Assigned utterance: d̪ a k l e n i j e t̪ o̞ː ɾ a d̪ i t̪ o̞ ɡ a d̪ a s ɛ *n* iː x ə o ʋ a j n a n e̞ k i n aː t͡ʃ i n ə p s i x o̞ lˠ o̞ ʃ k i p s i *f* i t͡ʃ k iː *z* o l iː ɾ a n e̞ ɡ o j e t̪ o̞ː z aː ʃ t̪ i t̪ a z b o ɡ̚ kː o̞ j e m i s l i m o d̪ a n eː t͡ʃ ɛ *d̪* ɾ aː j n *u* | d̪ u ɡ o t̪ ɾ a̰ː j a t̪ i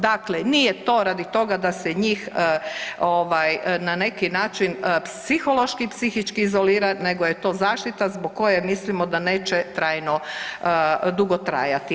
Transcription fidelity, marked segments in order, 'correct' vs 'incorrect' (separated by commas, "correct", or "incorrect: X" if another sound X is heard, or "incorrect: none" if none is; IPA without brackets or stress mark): incorrect: ɲ, incorrect: x, correct, incorrect: t̪, incorrect: o